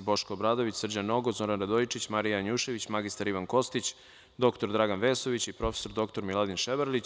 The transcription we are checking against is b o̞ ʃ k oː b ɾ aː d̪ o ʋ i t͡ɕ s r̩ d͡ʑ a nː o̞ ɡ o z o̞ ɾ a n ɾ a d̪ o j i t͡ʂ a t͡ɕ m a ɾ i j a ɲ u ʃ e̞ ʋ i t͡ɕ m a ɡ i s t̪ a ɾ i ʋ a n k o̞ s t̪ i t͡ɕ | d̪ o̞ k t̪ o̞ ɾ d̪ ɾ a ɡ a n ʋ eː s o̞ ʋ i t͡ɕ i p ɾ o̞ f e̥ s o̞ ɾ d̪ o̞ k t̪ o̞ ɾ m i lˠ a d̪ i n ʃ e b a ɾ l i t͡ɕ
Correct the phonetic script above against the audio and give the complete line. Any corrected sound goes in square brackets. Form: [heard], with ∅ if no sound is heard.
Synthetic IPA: b o̞ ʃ k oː b ɾ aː d̪ o ʋ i t͡ɕ s r̩ d͡ʑ a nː o̞ ɡ o z o̞ ɾ a n ɾ a d̪ o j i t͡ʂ [i] t͡ɕ m a ɾ i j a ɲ u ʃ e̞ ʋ i t͡ɕ m a ɡ i s t̪ a ɾ i ʋ a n k o̞ s t̪ i t͡ɕ | d̪ o̞ k t̪ o̞ ɾ d̪ ɾ a ɡ a n ʋ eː s o̞ ʋ i t͡ɕ i p ɾ o̞ f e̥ s o̞ ɾ d̪ o̞ k t̪ o̞ ɾ m i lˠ a d̪ i n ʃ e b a ɾ l i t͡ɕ